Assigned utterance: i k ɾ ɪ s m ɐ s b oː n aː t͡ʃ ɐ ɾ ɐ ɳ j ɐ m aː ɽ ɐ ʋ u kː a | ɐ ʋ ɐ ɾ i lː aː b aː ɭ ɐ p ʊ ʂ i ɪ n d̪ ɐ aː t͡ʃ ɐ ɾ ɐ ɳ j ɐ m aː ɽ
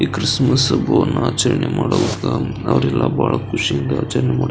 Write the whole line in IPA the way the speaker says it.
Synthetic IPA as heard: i k ɾ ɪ s m ɐ s b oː n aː t͡ʃ ɐ ɾ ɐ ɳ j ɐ m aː ɽ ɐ ʋ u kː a | ɐ ʋ ɐ ɾ ɛ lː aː b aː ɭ ɐ k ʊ ʂ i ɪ n d̪ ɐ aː t͡ʃ ɐ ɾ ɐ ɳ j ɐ m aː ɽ